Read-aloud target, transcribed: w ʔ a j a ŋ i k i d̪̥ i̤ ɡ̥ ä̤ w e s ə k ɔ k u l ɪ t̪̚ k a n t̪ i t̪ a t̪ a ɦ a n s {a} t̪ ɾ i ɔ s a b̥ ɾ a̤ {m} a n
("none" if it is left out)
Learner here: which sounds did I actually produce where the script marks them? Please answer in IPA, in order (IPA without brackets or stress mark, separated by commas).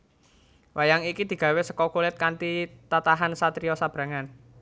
a, ŋ